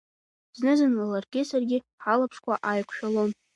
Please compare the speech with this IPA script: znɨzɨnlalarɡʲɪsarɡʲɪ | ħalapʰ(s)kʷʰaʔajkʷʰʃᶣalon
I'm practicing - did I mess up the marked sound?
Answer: yes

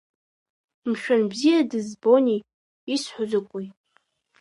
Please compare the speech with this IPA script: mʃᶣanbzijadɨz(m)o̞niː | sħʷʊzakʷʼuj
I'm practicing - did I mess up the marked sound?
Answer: yes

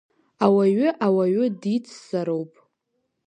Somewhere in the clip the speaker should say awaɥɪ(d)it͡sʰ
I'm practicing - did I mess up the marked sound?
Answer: no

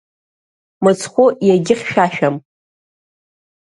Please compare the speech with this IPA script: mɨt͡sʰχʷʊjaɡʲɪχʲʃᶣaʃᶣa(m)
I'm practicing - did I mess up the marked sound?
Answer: no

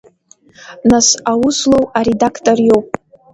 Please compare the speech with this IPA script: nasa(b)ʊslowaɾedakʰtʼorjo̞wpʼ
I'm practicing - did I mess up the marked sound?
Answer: yes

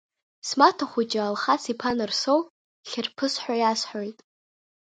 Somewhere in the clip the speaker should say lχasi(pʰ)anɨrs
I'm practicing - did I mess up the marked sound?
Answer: no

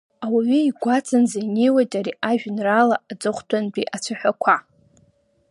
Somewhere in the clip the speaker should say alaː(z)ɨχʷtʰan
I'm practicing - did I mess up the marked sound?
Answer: yes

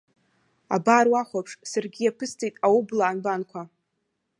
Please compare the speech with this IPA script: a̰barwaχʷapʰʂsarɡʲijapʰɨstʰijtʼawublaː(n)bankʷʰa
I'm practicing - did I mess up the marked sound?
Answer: no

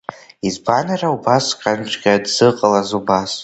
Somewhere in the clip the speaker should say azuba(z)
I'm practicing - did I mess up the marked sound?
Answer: yes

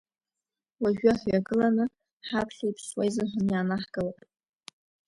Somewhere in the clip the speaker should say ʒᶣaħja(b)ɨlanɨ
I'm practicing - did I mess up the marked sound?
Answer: yes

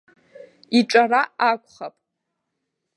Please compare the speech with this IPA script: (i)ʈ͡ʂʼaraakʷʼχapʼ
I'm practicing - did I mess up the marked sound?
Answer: no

